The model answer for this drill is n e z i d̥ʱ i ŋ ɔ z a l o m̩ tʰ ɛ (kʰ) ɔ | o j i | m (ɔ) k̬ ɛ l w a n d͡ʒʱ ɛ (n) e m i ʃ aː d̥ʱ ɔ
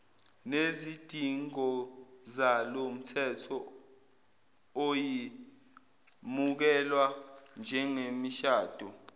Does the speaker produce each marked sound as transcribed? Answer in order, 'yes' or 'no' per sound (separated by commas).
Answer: no, no, no